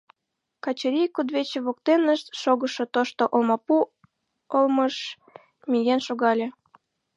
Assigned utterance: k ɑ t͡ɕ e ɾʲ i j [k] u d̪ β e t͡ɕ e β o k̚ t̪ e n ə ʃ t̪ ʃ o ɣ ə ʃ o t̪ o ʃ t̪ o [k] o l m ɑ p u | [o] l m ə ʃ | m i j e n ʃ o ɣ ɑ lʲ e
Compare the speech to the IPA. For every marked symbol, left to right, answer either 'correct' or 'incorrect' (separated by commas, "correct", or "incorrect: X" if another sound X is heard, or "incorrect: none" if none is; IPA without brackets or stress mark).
correct, incorrect: ʔ, correct